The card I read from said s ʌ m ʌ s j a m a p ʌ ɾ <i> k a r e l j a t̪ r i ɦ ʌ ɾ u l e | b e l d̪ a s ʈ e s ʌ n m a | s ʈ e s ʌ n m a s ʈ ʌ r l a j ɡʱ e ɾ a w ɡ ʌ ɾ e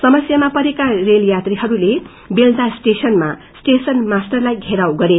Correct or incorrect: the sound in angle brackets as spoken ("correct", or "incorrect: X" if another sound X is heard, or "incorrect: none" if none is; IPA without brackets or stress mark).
incorrect: e